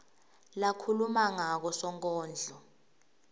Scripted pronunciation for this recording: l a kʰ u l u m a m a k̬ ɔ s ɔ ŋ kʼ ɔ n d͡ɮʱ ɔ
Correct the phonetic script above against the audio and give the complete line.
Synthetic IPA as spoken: l a kʰ u l u m a ŋ a k̬ ɔ s ɔ ŋ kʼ ɔː n d͡ɮʱ ɔ